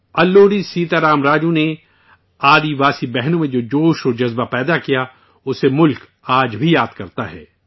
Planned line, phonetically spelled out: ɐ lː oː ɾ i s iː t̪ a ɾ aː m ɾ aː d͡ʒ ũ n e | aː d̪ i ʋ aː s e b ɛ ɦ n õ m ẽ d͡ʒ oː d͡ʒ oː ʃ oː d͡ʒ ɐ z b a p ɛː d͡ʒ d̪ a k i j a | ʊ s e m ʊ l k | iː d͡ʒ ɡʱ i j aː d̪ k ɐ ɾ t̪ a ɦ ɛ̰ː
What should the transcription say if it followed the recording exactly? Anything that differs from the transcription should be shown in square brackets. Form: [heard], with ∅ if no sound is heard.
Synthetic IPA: ɐ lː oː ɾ i s iː t̪ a ɾ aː m ɾ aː d͡ʒ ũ n e | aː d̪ i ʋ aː s [i] b ɛ ɦ n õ m ẽ d͡ʒ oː d͡ʒ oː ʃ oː d͡ʒ ɐ z b a p ɛː [∅] d̪ a k i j a | ʊ s e m ʊ l k | [aː] d͡ʒ [bʱ] i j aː d̪ k ɐ ɾ t̪ a ɦ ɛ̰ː